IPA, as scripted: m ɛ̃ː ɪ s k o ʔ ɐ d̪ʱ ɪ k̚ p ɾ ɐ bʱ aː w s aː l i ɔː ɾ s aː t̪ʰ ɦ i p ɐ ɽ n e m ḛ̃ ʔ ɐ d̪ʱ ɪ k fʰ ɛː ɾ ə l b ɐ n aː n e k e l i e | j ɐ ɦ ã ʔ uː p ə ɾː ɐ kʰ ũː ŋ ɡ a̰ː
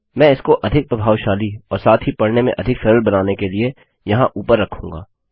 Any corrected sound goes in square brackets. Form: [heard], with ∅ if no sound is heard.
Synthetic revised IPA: m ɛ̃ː ɪ s k o ʔ ɐ d̪ʱ ɪ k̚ p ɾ ɐ bʱ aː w [ʃ] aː l i ɔː ɾ s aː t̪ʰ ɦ i p ɐ ɽ n e m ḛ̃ ʔ ɐ d̪ʱ ɪ k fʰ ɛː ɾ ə l b ɐ n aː n e k e l i e | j ɐ ɦ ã ʔ uː p ə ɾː ɐ kʰ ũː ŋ ɡ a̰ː